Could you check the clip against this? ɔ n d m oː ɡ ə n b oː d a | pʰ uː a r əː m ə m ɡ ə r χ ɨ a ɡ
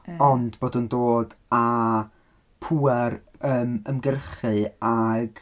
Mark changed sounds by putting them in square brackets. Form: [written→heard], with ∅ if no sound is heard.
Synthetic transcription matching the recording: ɔ n d [m→b] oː [ɡ→d] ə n [b→d] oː d a | pʰ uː [a→ɛ] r əː m ə m ɡ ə r χ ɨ a ɡ